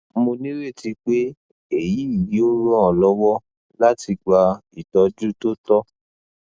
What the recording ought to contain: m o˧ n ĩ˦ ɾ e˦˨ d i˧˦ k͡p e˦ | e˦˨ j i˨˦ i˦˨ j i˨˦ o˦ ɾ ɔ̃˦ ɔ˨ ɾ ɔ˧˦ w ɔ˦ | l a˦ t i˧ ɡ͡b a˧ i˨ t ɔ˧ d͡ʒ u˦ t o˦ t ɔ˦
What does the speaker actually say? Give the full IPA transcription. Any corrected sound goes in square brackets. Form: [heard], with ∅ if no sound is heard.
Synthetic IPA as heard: m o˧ n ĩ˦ ɾ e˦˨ [t] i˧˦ k͡p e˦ | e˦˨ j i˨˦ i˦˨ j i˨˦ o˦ ɾ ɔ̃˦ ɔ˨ [l] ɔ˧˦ w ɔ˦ | l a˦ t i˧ ɡ͡b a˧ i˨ t ɔ˧ d͡ʒ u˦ t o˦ t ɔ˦